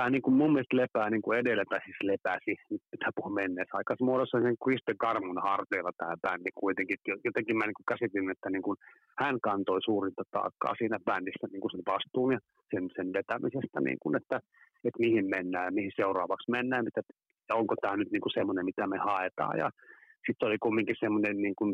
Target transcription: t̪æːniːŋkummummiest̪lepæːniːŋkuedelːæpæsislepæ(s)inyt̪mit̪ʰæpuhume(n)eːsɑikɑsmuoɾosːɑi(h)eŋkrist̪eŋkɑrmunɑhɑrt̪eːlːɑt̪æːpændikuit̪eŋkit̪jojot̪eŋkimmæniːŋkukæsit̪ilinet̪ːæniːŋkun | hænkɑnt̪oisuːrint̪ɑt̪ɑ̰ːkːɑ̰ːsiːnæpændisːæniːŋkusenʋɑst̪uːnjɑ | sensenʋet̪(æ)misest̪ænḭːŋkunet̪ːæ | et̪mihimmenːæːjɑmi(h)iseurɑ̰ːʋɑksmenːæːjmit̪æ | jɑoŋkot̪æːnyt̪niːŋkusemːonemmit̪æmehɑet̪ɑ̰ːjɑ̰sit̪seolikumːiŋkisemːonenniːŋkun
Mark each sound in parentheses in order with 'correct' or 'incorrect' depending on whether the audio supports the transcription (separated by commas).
correct, incorrect, incorrect, correct, correct